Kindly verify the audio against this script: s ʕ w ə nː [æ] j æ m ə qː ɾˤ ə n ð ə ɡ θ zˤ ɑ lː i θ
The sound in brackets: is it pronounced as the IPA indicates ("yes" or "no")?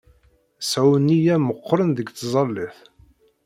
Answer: no